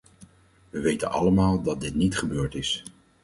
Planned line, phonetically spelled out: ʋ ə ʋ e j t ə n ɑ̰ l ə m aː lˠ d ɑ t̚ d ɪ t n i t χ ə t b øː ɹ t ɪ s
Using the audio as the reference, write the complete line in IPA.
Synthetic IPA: ʋ ə ʋ e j t ə n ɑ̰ l ə m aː lˠ d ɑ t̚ d ɪ t n i t χ ə b øː ɹ t ɪ s